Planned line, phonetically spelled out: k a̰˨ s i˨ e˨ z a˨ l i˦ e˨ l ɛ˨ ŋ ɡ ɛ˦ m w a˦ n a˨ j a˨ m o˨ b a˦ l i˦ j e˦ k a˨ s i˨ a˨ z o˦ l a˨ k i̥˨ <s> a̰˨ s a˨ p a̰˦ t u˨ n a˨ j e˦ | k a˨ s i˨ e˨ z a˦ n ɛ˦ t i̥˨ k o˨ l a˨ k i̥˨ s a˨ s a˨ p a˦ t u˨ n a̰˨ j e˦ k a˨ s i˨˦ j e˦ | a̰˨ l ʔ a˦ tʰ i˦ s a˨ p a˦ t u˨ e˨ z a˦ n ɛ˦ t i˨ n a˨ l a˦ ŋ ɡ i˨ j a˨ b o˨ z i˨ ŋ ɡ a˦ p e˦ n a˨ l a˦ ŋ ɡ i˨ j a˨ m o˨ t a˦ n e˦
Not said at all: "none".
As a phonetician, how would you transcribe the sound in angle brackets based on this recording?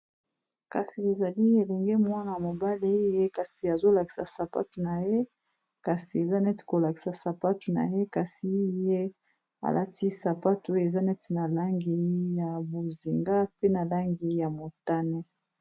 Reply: s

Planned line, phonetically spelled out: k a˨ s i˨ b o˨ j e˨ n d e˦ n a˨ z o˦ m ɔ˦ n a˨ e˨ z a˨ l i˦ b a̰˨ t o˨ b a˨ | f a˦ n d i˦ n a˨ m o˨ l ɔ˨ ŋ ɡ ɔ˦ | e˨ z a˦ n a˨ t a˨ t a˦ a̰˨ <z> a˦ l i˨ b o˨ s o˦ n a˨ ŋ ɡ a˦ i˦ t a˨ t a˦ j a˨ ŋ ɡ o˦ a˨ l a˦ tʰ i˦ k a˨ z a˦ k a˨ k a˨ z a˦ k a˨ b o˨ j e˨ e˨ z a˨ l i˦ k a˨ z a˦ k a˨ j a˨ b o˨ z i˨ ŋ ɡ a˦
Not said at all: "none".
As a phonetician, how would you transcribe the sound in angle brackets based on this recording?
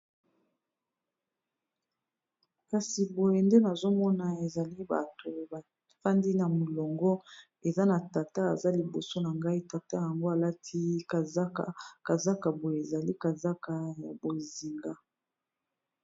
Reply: z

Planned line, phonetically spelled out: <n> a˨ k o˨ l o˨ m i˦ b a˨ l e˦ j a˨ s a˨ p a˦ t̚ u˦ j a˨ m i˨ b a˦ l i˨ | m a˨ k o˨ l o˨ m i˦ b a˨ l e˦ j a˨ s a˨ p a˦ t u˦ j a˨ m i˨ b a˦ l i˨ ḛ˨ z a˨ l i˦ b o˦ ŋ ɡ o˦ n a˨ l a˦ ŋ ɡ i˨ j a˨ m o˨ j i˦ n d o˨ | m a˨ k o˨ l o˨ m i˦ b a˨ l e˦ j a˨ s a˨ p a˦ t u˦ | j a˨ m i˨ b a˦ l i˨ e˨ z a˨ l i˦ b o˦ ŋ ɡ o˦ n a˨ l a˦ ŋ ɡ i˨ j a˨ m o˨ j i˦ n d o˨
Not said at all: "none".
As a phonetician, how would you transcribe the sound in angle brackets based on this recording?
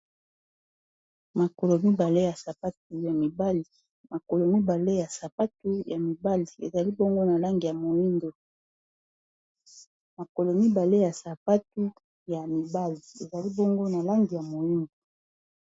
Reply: m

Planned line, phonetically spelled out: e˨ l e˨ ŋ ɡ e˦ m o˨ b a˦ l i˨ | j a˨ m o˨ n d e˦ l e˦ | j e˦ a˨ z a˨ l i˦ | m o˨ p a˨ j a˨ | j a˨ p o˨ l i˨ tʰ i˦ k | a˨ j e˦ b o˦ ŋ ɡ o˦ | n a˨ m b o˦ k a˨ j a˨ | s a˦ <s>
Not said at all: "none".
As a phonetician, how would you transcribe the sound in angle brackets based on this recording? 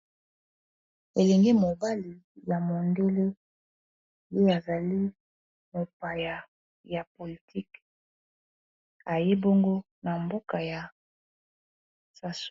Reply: s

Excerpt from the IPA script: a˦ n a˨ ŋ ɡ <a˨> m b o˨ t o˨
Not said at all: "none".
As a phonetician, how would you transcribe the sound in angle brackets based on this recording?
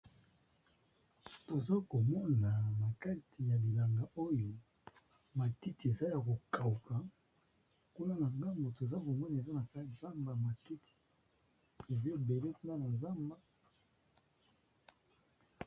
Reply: a˦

